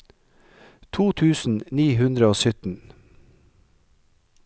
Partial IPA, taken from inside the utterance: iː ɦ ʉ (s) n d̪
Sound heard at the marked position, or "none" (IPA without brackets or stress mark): none